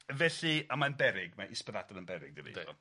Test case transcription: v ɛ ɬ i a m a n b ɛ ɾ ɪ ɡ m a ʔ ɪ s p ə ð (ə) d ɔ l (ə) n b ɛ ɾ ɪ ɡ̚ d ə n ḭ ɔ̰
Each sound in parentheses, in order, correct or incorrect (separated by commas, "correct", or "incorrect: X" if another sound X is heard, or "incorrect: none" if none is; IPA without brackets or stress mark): incorrect: a, correct